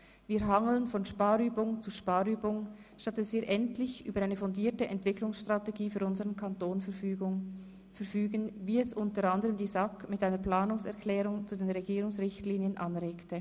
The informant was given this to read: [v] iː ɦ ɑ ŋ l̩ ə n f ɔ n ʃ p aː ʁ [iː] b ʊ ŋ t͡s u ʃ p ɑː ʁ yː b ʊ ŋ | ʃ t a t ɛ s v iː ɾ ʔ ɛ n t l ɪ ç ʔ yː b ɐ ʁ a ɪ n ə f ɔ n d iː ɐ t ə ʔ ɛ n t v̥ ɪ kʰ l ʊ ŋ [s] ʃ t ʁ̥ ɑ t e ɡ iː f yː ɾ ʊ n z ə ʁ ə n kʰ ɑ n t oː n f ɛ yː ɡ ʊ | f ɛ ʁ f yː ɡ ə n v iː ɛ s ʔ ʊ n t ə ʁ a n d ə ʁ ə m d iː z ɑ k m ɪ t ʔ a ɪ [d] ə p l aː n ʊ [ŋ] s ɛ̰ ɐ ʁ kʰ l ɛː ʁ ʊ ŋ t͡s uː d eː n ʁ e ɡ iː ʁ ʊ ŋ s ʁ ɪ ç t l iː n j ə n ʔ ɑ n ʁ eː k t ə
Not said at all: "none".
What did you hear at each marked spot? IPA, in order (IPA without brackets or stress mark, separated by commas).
v, yː, s, n, ŋ